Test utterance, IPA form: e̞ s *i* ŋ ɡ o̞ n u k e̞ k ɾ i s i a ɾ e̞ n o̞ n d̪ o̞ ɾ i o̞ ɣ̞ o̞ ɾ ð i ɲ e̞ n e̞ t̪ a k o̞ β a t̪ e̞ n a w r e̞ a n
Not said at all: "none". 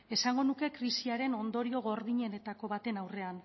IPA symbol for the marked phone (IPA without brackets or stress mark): a